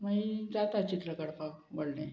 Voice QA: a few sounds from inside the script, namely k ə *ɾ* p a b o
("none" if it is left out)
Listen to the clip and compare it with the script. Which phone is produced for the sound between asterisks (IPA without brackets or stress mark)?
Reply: ɽ